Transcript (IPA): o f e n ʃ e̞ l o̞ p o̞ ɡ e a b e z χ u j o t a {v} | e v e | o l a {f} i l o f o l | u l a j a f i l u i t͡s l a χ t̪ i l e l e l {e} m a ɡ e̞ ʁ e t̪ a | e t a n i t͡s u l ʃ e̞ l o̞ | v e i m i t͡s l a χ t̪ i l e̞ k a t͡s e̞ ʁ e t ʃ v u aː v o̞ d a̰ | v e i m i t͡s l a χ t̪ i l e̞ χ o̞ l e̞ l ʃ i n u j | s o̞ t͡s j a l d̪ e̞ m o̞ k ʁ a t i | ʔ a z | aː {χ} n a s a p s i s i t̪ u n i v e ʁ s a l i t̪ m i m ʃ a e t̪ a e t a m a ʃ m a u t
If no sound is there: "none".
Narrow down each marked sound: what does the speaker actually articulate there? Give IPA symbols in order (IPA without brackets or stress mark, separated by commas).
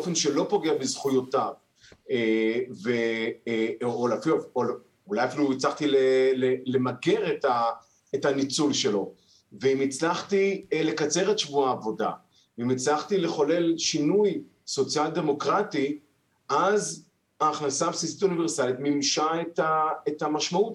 v, f, e, χ